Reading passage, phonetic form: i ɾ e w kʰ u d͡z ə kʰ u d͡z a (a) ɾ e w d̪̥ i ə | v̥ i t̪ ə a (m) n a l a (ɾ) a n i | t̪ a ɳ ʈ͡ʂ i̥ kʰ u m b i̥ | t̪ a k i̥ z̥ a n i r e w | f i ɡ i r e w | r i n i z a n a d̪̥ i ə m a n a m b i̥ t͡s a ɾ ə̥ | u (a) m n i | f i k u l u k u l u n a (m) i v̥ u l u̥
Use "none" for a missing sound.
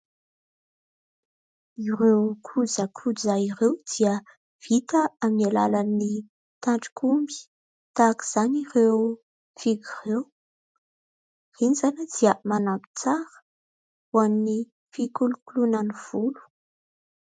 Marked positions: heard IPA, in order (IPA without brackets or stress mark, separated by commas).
i, m, l, a, n